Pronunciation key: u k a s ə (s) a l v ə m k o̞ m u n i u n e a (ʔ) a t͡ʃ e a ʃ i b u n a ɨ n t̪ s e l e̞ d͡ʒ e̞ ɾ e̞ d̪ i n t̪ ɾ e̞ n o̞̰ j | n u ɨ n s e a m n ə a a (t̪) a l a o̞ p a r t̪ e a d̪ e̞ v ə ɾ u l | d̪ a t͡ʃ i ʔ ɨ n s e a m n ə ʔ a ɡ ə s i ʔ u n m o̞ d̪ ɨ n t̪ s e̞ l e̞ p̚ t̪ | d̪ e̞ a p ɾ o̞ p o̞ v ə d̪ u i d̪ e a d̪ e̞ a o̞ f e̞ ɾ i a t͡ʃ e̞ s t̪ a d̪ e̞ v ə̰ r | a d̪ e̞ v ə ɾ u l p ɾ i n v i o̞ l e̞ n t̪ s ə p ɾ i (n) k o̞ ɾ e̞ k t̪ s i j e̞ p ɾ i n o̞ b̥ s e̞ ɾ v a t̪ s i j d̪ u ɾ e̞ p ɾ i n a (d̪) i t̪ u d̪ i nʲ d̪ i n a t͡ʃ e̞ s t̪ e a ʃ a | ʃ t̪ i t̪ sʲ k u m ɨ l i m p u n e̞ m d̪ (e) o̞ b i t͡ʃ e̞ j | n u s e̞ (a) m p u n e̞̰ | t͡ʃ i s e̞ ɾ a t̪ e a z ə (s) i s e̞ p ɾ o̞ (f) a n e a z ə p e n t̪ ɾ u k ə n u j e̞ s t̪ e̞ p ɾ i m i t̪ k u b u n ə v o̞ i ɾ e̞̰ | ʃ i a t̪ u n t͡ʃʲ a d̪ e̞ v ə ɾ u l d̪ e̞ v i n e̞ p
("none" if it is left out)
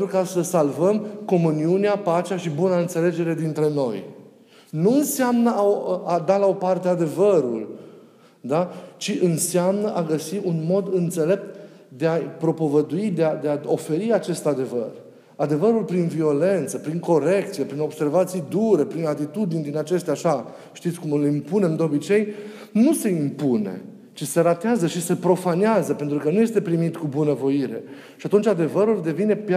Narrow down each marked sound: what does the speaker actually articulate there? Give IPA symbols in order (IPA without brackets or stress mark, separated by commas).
s, p, d̪, ŋ, t̪, e, i, ʃ, f